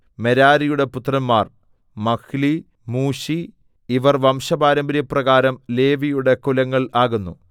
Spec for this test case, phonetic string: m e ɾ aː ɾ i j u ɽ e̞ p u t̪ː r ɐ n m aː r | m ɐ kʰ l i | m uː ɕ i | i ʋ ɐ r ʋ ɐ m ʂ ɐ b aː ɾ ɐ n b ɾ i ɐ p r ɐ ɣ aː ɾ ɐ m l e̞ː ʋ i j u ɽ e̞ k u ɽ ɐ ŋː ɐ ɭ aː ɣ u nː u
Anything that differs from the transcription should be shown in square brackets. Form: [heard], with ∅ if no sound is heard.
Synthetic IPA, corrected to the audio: m e ɾ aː ɾ i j u ɽ e̞ p u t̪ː r ɐ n m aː r | m ɐ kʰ l i | m uː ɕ i | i ʋ ɐ r ʋ ɐ m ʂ ɐ b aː ɾ ɐ [m] b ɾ [j] ɐ p r ɐ ɣ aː ɾ ɐ m l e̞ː ʋ i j u ɽ e̞ k u [l] ɐ ŋː ɐ ɭ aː ɣ u nː u